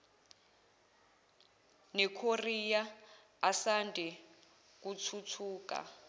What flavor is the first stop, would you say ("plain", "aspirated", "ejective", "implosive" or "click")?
aspirated